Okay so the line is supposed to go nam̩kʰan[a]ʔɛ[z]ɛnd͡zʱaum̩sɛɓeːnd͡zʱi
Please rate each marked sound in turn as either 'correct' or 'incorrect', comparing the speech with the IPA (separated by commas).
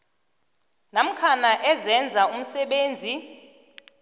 correct, correct